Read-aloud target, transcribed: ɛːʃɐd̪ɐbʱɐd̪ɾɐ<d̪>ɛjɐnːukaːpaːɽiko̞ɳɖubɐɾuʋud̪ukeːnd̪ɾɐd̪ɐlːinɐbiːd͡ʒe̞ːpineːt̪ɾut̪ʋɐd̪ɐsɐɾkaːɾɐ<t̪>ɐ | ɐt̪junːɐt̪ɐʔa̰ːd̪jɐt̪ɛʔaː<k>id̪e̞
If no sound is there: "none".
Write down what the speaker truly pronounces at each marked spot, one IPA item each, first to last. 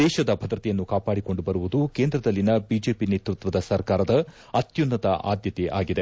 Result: t̪, d̪, ɡ

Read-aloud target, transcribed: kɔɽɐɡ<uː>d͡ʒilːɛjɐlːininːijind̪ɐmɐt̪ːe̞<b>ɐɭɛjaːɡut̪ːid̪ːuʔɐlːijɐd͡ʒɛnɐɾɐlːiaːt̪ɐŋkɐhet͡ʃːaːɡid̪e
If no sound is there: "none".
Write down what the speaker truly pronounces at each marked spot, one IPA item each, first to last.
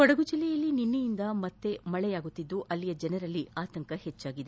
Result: u, m

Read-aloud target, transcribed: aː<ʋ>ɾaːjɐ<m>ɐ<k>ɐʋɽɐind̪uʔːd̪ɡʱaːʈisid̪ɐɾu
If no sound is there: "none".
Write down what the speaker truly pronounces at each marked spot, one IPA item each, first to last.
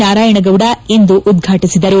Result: none, ɳ, ɡ

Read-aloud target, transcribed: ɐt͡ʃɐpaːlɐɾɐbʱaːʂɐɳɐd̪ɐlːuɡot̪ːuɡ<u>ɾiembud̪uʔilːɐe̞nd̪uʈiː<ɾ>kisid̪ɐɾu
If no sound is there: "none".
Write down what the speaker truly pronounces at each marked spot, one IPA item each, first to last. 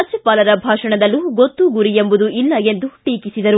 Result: u, none

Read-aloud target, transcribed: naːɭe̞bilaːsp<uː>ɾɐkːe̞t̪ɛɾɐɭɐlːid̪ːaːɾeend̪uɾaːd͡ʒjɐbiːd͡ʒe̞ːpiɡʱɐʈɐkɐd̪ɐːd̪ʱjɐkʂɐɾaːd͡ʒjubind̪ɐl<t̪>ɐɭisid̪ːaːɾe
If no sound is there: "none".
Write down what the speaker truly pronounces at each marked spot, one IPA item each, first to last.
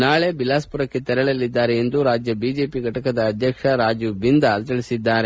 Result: u, t̪

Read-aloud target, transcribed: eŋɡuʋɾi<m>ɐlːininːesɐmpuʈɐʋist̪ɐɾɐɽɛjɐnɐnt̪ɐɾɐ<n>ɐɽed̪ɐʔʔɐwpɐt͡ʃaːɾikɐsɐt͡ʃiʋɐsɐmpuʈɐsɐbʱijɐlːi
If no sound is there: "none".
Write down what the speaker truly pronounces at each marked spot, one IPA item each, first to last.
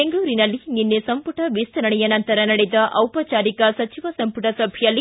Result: n, n

